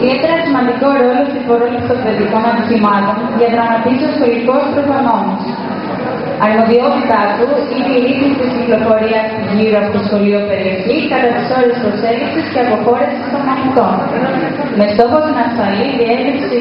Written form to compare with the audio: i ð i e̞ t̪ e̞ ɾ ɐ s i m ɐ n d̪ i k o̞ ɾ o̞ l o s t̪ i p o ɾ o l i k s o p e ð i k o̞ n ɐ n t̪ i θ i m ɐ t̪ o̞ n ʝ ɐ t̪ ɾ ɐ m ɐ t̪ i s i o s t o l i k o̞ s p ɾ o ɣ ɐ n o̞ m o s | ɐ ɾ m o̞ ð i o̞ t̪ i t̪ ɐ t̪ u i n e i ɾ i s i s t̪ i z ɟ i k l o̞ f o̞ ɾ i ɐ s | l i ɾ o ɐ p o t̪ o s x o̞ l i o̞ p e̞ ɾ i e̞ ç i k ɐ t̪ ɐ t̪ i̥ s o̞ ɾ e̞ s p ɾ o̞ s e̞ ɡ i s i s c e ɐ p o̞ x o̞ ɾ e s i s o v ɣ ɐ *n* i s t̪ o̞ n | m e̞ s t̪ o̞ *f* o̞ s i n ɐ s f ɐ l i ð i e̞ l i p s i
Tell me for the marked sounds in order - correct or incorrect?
correct, incorrect: x

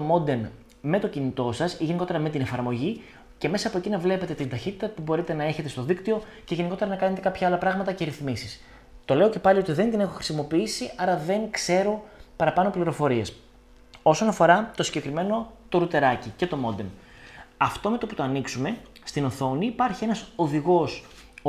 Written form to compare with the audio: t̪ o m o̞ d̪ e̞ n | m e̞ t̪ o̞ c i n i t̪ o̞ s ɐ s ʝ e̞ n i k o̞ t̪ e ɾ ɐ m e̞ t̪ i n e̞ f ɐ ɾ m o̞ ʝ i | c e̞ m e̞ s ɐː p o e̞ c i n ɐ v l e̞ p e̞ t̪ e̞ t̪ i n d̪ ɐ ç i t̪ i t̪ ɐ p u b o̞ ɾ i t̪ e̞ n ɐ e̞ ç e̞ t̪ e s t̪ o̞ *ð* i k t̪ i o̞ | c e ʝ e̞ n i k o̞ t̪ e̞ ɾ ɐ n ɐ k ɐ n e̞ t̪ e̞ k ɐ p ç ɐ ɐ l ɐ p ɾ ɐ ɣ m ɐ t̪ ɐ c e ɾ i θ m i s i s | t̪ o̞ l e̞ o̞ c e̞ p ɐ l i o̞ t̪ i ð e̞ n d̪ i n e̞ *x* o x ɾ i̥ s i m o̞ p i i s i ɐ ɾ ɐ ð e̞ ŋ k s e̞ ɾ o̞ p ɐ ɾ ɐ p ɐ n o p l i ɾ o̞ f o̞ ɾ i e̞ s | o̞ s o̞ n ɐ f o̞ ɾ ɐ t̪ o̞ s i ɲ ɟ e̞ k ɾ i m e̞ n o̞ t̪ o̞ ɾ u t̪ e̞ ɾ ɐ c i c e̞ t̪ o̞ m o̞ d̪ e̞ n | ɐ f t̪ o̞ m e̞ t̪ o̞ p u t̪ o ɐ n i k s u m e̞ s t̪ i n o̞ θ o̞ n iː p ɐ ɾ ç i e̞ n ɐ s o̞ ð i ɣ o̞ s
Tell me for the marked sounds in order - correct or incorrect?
correct, correct

